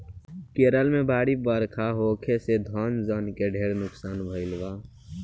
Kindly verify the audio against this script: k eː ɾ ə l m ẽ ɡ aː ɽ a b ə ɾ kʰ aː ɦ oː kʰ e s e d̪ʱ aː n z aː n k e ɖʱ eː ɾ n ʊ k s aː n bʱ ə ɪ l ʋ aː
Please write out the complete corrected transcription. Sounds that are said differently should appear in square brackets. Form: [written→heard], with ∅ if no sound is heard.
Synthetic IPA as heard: k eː ɾ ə l m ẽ [ɡ→b] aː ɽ [a→i] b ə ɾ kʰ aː ɦ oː kʰ e s e d̪ʱ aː n z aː n k e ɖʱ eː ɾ n ʊ k s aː n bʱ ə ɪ l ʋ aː